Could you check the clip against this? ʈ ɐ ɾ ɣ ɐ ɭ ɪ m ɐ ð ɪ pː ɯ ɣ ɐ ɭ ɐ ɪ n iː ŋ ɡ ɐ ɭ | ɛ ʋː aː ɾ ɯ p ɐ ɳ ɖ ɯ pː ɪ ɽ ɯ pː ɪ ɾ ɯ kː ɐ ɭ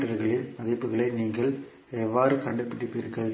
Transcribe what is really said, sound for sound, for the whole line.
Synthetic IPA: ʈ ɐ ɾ ɣ ɐ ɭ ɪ m ɐ ð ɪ pː ɯ ɣ ɐ ɭ ɐ ɪ n iː ŋ ɡ ɐ ɭ | ɛ ʋː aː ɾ ɯ k ɐ ɳ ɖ ɯ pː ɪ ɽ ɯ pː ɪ ɾ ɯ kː ɐ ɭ